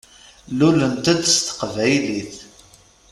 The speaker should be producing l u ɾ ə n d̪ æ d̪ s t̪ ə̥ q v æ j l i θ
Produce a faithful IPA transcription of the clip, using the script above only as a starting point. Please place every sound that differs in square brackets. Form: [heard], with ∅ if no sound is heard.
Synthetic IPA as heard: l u [l] ə n [t̪] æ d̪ s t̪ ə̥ q v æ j l i θ